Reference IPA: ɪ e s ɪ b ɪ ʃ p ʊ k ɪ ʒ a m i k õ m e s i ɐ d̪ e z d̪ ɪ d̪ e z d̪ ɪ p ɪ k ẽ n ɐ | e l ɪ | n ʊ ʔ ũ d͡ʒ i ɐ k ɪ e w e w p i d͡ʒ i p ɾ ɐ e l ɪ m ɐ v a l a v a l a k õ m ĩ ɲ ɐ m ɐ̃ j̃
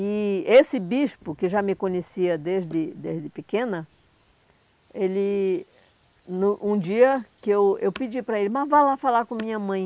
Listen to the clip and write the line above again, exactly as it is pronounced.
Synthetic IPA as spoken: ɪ e s ɪ b i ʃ p ʊ k ɪ ʒ a m ɪ k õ ɲ e s i ɐ d̪ e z d̪ ɪ d̪ e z d̪ ɪ p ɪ k ẽ n ɐ | e l ɪ | n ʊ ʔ ũ d͡ʒ i ɐ k ɪ e w e w p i d͡ʒ i p ɾ ɐ e l ɪ m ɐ v a l a f a l a k õ m ĩ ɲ ɐ m ɐ̃ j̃